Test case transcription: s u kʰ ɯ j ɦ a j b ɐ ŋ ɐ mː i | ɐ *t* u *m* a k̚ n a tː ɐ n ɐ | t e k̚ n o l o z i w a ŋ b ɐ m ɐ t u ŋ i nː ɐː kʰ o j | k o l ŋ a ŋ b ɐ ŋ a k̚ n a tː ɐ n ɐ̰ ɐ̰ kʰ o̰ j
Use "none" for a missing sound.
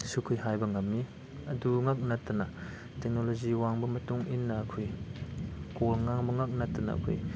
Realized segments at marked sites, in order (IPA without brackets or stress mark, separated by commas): d, ŋ